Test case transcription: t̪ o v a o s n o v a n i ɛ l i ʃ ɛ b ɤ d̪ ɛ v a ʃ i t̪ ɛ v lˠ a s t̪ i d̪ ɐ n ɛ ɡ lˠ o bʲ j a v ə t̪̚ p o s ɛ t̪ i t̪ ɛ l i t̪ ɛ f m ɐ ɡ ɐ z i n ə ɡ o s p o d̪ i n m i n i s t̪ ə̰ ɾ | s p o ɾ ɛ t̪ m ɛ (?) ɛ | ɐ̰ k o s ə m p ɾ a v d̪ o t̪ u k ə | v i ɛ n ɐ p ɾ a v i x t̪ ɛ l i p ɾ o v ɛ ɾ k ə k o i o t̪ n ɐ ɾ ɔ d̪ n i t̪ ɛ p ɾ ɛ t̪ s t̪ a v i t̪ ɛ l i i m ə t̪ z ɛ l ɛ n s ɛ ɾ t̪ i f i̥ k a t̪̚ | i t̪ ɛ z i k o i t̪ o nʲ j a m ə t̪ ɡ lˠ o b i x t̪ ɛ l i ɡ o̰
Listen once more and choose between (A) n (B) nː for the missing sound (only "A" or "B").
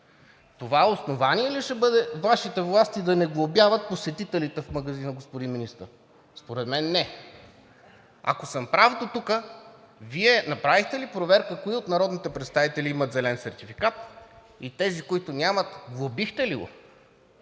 B